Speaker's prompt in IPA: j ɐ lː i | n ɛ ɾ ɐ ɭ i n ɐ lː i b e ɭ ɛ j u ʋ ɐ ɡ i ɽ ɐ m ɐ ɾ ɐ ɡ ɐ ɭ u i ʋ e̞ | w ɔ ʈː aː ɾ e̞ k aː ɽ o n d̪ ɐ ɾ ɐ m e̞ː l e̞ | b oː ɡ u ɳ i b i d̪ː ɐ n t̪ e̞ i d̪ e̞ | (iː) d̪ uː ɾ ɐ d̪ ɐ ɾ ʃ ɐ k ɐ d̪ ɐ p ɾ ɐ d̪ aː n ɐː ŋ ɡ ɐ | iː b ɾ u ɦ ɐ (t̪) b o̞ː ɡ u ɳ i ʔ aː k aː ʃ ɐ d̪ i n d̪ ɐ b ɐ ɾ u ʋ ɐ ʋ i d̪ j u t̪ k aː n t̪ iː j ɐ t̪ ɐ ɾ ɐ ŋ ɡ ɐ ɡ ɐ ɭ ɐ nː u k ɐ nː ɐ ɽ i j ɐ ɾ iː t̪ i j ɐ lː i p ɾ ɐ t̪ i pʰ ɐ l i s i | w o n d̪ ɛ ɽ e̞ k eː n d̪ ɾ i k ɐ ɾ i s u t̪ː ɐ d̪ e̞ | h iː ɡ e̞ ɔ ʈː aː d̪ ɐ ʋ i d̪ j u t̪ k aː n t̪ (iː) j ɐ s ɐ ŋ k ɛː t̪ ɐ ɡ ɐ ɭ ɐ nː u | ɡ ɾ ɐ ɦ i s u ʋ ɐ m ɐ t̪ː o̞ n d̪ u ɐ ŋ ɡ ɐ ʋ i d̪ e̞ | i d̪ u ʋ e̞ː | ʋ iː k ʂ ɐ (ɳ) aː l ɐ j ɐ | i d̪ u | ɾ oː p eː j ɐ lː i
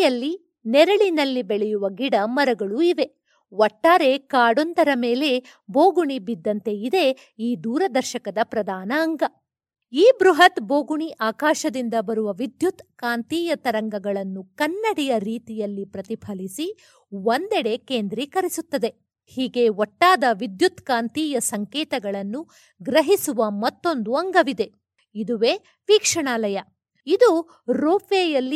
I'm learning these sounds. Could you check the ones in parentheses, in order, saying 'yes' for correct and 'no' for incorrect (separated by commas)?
yes, yes, yes, yes